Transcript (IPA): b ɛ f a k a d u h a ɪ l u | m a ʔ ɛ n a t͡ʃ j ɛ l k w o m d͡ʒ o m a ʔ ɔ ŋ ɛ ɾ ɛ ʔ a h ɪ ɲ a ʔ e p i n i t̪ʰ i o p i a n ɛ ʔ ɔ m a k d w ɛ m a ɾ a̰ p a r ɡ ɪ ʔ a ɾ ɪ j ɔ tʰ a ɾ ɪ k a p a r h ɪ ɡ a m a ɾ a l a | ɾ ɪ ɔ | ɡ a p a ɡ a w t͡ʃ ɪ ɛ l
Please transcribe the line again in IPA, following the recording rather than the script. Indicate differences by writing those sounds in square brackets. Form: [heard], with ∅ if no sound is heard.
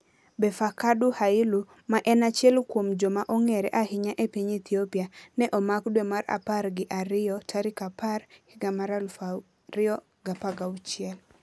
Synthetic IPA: b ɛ f a k a d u h a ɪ l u | m a ʔ ɛ n a t͡ʃ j ɛ l k w o m d͡ʒ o m a ʔ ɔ ŋ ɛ ɾ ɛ ʔ a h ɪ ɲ a ʔ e p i [ɲ] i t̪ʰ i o p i a n ɛ ʔ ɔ m a k d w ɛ m a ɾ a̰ p a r ɡ ɪ ʔ a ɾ ɪ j ɔ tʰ a ɾ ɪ k a p a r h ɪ ɡ a m a ɾ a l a | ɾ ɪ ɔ | ɡ a p a ɡ a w t͡ʃ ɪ ɛ l